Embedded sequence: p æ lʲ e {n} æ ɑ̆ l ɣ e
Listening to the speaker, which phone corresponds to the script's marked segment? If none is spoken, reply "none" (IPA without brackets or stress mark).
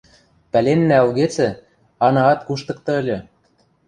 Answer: nː